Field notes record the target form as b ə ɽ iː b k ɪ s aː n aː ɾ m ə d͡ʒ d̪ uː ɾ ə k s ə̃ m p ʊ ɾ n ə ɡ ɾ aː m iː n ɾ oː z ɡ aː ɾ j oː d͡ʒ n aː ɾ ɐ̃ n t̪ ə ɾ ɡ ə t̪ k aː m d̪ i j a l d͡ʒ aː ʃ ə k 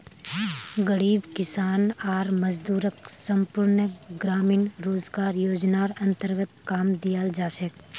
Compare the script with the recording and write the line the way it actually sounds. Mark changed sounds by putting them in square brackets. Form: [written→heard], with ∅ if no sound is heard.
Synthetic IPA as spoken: [b→ɡ] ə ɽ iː b k ɪ s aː n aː ɾ m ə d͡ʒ d̪ uː ɾ ə k s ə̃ m p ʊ ɾ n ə ɡ ɾ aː m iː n ɾ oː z ɡ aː ɾ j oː d͡ʒ n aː ɾ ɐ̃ n t̪ ə ɾ ɡ ə t̪ k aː m d̪ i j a l d͡ʒ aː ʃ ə k